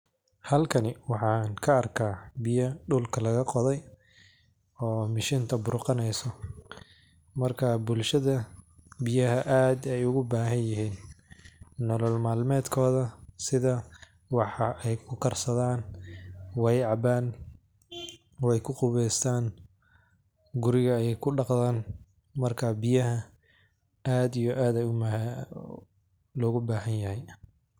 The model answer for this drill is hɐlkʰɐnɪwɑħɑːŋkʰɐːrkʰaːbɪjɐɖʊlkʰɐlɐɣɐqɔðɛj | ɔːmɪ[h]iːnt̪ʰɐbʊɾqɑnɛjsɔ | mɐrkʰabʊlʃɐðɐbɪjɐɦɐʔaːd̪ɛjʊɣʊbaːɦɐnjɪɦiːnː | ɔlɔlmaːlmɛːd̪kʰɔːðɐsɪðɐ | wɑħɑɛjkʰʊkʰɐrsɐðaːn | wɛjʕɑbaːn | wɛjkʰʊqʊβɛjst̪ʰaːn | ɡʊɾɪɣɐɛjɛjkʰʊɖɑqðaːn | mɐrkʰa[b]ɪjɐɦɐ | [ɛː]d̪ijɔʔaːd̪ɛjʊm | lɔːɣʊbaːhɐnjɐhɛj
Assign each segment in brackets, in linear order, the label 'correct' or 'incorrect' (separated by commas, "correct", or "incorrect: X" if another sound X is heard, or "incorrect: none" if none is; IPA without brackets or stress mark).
incorrect: ʃ, correct, incorrect: aː